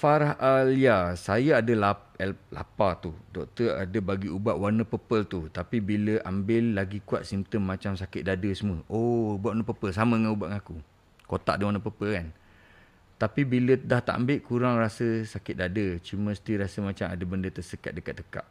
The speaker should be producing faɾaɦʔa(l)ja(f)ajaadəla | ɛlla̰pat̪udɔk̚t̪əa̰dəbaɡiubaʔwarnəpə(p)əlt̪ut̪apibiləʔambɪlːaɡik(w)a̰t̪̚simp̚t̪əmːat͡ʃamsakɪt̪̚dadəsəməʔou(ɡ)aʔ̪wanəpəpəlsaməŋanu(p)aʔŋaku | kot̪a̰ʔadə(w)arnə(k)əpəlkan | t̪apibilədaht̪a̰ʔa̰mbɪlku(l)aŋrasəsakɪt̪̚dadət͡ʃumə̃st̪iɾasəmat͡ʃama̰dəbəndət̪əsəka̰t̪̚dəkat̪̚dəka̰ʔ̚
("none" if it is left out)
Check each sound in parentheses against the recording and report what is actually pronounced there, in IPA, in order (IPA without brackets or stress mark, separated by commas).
l, s, p, u, b, b, w, p, ɾ